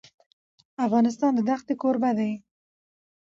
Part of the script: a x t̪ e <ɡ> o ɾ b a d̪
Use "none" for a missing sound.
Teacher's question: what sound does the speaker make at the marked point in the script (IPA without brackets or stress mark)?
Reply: k